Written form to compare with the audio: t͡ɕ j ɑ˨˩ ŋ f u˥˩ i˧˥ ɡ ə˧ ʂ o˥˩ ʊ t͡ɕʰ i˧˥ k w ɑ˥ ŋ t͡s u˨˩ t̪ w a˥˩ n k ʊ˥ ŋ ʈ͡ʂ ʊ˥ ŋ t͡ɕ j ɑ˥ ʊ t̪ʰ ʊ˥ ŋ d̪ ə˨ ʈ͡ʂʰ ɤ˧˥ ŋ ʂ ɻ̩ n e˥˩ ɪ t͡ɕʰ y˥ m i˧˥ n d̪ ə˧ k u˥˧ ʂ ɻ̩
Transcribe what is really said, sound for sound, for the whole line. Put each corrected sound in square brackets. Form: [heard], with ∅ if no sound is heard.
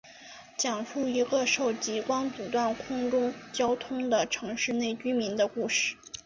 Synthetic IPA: t͡ɕ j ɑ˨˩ ŋ f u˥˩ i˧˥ ɡ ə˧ ʂ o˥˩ ʊ [t͡ɕ] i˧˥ k w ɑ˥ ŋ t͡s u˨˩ t̪ w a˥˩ n [kʰ] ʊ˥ ŋ ʈ͡ʂ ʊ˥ ŋ t͡ɕ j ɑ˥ ʊ t̪ʰ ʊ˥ ŋ d̪ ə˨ ʈ͡ʂʰ ɤ˧˥ ŋ ʂ ɻ̩ n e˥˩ ɪ [t͡ɕ] y˥ m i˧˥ n d̪ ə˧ k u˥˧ ʂ ɻ̩

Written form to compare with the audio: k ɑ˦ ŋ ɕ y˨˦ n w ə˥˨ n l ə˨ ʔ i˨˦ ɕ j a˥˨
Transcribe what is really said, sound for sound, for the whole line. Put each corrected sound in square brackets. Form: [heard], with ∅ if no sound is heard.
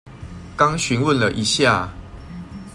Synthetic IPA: k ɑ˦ ŋ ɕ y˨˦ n w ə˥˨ n l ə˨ ʔ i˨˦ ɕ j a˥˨

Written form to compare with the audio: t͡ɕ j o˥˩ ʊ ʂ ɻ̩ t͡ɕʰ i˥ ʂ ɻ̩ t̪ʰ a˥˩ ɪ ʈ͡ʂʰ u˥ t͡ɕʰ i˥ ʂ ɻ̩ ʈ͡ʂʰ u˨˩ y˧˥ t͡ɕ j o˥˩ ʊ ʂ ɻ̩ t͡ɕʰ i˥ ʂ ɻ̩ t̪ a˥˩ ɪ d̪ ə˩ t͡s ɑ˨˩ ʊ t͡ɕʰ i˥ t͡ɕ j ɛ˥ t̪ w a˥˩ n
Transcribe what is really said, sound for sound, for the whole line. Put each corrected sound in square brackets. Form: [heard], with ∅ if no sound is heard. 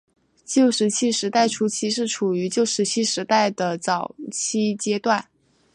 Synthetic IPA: t͡ɕ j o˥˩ ʊ ʂ ɻ̩ t͡ɕʰ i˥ ʂ ɻ̩ [t̪] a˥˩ ɪ ʈ͡ʂʰ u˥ t͡ɕʰ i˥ ʂ ɻ̩ ʈ͡ʂʰ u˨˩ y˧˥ t͡ɕ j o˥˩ ʊ ʂ ɻ̩ t͡ɕʰ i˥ ʂ ɻ̩ t̪ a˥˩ ɪ d̪ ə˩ t͡s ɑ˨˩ ʊ t͡ɕʰ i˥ t͡ɕ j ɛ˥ t̪ w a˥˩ n

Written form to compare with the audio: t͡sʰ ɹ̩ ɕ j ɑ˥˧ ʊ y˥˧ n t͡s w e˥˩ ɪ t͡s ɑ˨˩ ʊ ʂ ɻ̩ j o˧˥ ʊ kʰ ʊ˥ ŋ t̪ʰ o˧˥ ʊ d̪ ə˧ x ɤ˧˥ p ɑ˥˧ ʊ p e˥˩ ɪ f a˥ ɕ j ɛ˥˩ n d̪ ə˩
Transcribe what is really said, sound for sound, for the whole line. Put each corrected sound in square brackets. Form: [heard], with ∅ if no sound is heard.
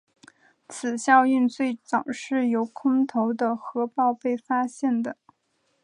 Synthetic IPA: t͡sʰ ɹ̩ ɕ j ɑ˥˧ ʊ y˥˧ n t͡s w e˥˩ ɪ t͡s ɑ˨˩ ʊ ʂ ɻ̩ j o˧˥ ʊ kʰ ʊ˥ ŋ t̪ʰ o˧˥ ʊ d̪ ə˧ x ɤ˧˥ p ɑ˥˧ ʊ p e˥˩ ɪ f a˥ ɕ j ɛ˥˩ n d̪ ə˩

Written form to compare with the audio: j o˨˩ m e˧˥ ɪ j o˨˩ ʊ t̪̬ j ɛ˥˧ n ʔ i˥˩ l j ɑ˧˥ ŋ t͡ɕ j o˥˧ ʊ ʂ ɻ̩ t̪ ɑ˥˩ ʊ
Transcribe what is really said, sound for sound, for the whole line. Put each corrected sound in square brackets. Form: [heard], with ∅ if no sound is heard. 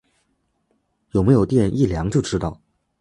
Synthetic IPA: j o˨˩ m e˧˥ ɪ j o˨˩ ʊ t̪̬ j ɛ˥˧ n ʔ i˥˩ l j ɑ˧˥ ŋ t͡ɕ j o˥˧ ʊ [ʈ͡ʂ] ɻ̩ t̪ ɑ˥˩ ʊ

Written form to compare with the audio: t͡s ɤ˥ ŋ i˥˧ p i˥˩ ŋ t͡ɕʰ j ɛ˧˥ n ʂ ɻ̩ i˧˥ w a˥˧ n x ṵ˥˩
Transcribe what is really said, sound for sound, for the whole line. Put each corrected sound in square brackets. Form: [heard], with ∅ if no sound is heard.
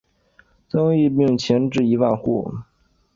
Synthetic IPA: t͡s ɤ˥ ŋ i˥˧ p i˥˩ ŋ t͡ɕʰ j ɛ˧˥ n [ʈ͡ʂ] ɻ̩ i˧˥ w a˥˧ n x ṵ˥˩

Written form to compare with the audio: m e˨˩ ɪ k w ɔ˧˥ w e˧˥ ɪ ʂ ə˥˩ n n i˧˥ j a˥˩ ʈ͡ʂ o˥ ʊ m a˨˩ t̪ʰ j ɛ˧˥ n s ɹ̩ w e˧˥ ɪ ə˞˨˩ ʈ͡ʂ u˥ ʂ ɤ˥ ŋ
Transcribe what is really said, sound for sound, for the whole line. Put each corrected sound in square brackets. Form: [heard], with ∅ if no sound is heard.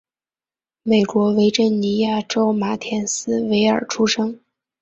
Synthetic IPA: m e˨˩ ɪ k w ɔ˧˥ w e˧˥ ɪ [ʈ͡ʂ] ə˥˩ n n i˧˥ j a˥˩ ʈ͡ʂ o˥ ʊ m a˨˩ t̪ʰ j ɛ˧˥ n s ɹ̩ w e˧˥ ɪ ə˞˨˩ [ʈ͡ʂʰ] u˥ ʂ ɤ˥ ŋ

